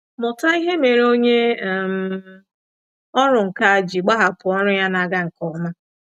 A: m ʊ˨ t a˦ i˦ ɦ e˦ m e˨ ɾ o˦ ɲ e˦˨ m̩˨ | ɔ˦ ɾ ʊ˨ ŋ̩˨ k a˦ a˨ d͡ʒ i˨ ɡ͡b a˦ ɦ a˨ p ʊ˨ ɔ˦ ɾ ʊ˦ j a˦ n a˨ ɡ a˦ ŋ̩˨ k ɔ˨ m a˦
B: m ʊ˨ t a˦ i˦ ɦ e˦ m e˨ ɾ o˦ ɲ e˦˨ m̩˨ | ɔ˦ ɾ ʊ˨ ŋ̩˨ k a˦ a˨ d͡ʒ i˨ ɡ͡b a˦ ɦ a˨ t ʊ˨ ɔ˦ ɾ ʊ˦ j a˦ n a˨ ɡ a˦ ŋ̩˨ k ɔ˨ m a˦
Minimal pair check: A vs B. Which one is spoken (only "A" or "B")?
A